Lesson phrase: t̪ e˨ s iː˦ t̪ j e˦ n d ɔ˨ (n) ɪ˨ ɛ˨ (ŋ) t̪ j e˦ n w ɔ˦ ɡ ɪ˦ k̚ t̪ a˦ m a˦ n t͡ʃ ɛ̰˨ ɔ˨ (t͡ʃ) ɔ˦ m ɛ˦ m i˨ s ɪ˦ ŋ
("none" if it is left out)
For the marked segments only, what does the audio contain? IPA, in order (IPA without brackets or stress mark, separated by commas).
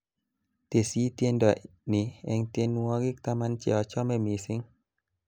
n, ŋ, t͡ʃ